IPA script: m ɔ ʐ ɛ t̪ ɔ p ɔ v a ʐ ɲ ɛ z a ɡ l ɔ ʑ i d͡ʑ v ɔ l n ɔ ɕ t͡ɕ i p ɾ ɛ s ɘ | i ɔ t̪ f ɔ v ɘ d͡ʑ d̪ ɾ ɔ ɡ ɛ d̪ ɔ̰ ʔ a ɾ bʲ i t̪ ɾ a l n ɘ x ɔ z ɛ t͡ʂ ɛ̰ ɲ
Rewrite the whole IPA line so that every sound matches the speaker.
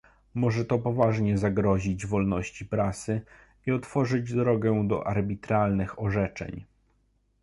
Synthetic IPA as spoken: m ɔ ʐ ɛ t̪ ɔ p ɔ v a ʐ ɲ ɛ z a ɡ ɾ ɔ ʑ i d͡ʑ v ɔ l n ɔ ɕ t͡ɕ i p ɾ a s ɘ | i ɔ t̪ f ɔ ʐ ɘ d͡ʑ d̪ ɾ ɔ ɡ ɛ d̪ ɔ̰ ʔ a ɾ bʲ i t̪ ɾ a l n ɘ x ɔ ʐ ɛ t͡ʂ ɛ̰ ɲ